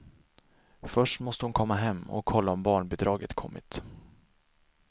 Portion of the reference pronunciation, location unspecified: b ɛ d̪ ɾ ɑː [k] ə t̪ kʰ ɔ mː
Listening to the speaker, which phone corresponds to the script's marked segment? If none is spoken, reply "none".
ɡ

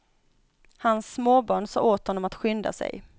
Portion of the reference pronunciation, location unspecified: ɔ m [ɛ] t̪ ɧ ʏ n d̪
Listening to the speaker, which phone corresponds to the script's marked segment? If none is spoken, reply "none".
a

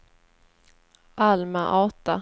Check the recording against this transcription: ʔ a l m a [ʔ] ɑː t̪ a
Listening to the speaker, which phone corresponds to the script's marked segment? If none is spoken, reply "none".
ʔ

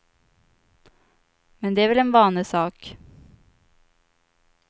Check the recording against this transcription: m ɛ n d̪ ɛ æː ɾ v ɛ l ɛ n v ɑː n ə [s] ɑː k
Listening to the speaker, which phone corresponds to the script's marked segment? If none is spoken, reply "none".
s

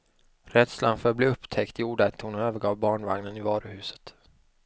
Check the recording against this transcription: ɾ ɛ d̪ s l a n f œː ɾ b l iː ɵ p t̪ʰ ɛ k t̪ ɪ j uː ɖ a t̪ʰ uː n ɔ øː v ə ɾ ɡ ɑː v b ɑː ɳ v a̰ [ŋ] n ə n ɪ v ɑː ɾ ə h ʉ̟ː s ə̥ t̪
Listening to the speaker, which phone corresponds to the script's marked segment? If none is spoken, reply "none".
ŋ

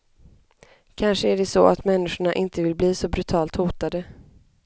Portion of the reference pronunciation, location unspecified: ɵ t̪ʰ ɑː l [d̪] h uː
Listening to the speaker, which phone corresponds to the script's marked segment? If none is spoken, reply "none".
t̪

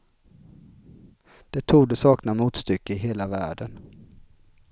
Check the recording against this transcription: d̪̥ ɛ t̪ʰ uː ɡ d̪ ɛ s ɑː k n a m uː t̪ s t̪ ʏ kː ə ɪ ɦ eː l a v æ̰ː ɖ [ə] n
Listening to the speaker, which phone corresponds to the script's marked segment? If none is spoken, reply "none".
ə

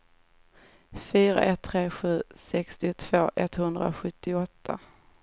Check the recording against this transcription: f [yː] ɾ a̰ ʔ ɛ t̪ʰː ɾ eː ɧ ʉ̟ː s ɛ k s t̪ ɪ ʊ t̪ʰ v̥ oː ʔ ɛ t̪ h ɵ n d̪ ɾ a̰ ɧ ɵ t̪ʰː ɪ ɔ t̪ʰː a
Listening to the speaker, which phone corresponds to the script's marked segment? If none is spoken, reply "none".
yː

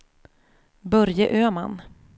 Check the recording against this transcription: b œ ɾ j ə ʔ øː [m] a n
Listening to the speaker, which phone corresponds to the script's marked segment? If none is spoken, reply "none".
m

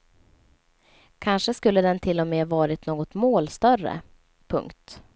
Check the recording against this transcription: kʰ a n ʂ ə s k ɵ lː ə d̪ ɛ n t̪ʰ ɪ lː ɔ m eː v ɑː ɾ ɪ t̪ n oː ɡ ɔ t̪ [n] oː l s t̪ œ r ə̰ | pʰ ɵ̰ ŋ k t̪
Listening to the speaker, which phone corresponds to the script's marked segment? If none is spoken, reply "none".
m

